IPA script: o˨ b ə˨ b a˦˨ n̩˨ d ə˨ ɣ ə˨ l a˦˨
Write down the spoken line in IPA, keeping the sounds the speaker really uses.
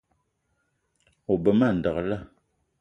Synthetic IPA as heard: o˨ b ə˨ m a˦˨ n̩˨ d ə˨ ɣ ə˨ l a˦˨